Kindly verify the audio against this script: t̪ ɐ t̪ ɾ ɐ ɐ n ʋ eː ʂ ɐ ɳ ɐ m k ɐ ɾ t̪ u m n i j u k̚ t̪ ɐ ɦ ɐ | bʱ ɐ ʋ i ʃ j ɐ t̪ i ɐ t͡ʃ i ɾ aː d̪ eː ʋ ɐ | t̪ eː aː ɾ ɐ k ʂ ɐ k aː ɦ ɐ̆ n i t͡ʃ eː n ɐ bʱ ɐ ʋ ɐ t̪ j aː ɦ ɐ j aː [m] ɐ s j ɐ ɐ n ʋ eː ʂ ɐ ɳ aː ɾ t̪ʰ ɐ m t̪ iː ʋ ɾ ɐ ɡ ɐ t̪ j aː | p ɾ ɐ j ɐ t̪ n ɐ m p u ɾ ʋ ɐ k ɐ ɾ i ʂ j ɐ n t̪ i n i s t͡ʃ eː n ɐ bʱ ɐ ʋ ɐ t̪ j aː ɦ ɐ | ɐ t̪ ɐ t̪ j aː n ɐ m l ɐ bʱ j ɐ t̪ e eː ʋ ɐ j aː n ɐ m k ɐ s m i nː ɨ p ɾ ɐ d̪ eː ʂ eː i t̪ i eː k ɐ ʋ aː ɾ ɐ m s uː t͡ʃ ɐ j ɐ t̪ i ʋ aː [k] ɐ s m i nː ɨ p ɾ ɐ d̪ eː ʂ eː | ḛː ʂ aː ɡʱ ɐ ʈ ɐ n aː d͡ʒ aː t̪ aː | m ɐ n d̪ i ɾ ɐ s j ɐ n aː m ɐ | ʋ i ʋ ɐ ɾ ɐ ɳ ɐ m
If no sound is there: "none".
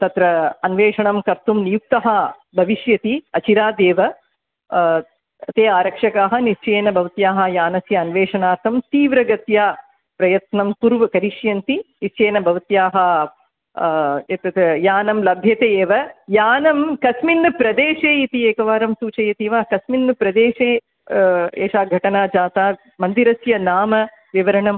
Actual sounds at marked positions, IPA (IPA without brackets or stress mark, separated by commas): n, k